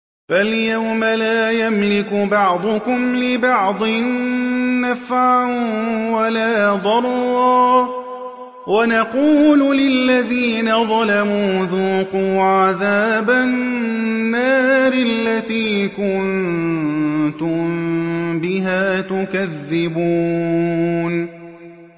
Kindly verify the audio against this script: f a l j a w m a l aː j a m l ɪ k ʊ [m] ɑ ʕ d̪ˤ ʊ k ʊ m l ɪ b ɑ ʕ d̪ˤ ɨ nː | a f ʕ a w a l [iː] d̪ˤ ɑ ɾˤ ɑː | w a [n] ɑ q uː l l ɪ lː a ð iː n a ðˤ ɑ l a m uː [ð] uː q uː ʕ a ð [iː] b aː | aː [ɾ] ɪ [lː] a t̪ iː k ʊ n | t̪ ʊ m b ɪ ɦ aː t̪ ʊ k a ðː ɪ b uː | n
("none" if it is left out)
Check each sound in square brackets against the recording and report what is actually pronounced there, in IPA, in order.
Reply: b, aː, n, ð, aː, ɾ, lː

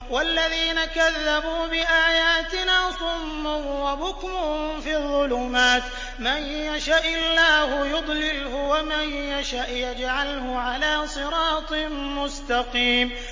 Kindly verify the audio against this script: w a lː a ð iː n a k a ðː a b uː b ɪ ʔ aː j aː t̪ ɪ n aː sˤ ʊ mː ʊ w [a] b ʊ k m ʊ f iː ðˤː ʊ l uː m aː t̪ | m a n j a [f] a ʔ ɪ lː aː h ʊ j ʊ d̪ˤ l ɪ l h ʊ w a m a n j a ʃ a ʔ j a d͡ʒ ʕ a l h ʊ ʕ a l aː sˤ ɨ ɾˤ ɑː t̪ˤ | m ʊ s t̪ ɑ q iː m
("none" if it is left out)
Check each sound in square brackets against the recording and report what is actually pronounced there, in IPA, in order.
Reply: a, ʃ

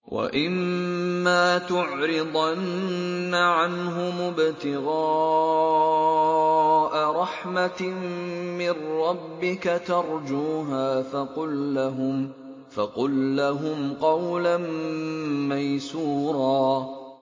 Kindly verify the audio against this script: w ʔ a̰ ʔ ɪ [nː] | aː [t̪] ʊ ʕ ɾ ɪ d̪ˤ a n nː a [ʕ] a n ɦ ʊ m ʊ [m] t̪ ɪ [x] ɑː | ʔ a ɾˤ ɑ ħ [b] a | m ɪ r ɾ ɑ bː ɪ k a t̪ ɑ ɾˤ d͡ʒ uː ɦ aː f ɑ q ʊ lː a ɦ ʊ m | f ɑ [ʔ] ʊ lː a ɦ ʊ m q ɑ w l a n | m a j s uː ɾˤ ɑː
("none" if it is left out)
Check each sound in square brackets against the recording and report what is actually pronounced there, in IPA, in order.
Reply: mː, t̪, ʕ, b, ɣ, m, q

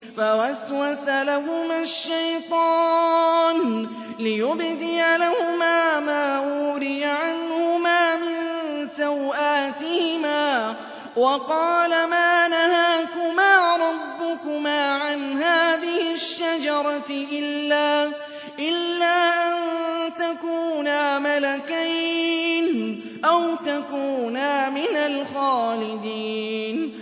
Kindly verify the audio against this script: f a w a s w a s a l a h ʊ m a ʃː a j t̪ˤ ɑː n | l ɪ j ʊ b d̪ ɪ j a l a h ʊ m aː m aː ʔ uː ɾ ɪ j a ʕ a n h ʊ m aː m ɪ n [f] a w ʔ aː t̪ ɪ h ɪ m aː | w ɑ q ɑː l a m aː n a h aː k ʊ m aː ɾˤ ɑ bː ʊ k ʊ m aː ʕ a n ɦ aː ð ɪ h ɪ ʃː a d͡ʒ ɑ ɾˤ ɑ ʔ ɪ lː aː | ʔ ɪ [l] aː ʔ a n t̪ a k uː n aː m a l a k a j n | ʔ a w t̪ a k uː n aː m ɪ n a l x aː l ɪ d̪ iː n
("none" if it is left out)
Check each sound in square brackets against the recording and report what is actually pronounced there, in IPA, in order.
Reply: s, lː

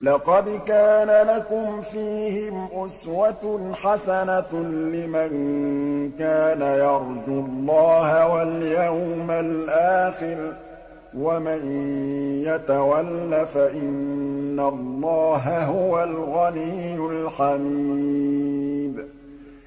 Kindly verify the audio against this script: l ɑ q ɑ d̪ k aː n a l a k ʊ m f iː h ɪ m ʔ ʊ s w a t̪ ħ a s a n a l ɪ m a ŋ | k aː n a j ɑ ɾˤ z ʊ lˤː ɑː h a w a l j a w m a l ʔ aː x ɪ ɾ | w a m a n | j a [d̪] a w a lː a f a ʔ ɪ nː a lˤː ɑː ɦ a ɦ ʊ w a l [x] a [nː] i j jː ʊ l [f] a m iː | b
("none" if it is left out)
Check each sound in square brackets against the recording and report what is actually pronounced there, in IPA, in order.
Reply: t̪, ɣ, n, ħ

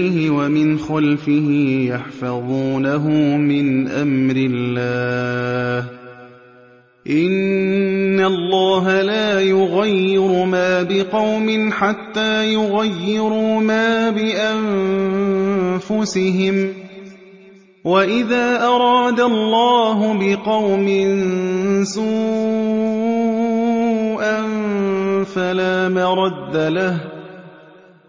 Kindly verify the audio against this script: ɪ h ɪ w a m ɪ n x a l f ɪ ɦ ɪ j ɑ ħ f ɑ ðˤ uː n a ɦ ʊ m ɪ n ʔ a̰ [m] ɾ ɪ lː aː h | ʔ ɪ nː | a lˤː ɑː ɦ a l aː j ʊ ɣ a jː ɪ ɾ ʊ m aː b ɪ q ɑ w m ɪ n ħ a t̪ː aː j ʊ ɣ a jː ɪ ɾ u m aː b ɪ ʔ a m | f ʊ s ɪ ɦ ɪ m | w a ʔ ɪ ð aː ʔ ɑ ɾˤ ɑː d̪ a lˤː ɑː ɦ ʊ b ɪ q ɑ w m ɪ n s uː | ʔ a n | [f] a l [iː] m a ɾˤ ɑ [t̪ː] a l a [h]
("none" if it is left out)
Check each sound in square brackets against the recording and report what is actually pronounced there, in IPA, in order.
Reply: m, f, aː, d̪ː, h

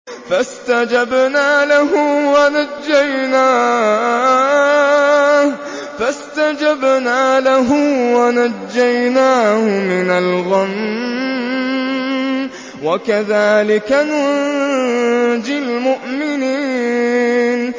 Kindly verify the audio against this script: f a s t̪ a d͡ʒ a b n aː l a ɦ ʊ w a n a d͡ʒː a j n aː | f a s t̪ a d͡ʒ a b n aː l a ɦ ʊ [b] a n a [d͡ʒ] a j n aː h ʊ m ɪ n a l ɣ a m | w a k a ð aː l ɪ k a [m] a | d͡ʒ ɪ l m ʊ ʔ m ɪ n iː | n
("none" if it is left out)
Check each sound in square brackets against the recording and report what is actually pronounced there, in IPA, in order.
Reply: w, d͡ʒː, n

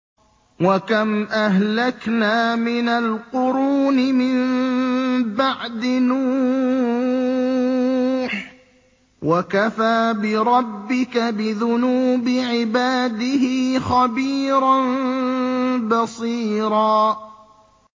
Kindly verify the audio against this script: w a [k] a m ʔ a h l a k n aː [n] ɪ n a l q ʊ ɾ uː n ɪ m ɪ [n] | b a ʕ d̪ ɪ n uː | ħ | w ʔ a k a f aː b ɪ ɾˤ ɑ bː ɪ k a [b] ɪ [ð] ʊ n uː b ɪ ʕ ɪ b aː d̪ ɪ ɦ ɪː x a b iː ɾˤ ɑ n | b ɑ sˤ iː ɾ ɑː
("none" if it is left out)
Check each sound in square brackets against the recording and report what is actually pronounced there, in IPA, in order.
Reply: k, m, m, b, ð

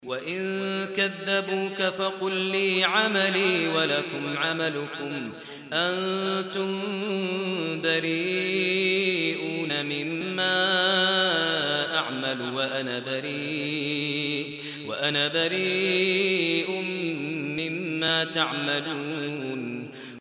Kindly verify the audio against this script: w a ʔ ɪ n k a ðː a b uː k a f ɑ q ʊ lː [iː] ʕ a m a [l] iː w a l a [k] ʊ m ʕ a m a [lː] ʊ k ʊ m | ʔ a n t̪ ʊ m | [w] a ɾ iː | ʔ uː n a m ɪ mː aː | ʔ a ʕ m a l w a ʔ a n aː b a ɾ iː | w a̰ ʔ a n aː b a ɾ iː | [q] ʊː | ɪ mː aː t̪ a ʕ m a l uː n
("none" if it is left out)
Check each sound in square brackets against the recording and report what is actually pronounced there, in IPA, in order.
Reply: iː, l, k, l, b, ʔ

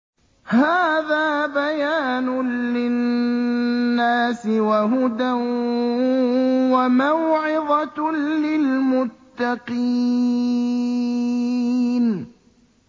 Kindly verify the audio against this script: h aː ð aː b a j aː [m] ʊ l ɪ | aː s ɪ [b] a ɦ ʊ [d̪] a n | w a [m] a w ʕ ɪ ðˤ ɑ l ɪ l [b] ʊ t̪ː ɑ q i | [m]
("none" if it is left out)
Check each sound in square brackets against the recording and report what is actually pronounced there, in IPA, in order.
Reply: n, w, d̪, m, m, n

